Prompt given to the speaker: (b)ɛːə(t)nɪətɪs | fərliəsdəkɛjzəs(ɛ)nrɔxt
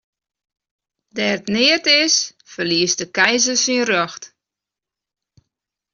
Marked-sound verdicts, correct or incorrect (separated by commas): incorrect, correct, incorrect